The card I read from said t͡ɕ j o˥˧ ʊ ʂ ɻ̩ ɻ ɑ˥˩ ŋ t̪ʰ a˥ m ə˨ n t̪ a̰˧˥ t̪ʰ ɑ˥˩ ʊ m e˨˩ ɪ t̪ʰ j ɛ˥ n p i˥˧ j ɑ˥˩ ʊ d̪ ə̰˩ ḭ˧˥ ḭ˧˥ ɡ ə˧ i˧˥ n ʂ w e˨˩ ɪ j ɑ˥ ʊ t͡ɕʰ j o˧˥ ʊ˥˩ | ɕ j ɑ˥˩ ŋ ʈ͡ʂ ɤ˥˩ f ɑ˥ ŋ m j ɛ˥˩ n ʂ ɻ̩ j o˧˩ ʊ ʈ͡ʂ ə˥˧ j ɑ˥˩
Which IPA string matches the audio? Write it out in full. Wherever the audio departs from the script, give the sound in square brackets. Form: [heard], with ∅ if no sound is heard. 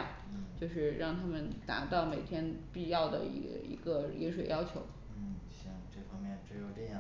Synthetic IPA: t͡ɕ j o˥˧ ʊ ʂ ɻ̩ ɻ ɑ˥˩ ŋ t̪ʰ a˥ m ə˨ n t̪ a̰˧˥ [t̪] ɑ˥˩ ʊ m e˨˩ ɪ t̪ʰ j ɛ˥ n p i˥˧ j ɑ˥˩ ʊ d̪ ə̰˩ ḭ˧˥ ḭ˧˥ ɡ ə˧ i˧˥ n ʂ w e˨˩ ɪ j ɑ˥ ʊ t͡ɕʰ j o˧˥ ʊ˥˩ | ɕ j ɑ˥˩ ŋ ʈ͡ʂ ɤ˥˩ f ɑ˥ ŋ m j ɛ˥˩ n [ʈ͡ʂ] ɻ̩ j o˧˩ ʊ ʈ͡ʂ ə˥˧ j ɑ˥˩